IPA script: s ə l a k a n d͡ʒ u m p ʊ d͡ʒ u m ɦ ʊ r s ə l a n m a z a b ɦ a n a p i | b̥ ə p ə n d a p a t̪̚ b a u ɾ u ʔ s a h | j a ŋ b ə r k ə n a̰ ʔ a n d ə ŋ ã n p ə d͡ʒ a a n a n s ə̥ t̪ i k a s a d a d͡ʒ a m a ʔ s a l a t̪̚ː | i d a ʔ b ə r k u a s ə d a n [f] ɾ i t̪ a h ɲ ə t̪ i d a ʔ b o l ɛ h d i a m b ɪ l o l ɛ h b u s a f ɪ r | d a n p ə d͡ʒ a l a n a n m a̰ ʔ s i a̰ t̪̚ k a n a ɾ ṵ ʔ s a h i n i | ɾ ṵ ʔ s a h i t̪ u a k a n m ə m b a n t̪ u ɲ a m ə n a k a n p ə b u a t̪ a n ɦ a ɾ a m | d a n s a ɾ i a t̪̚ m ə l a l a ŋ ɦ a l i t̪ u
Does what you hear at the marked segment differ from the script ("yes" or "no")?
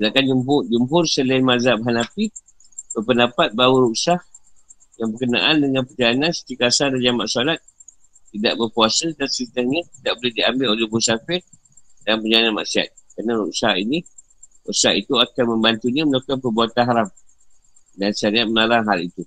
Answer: yes